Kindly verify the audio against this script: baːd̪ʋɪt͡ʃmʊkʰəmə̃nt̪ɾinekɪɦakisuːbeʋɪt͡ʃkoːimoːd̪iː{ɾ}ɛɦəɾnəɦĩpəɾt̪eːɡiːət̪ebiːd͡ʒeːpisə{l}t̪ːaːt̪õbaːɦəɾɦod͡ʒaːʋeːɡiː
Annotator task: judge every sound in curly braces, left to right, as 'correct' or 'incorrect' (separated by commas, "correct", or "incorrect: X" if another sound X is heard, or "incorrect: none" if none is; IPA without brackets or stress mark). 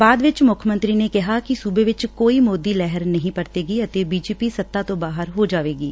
incorrect: l, incorrect: none